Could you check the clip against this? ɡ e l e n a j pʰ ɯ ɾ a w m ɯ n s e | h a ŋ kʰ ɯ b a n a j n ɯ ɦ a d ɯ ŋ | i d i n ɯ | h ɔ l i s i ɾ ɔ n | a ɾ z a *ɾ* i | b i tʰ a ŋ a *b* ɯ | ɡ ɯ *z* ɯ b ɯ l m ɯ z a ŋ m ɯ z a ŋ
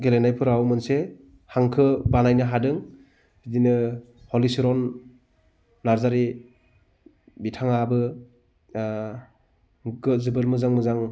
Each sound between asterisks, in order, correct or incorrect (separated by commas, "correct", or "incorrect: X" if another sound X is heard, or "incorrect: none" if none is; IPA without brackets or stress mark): correct, correct, correct